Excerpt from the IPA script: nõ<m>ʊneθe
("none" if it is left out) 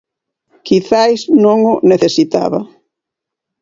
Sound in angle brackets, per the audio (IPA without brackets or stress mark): ŋ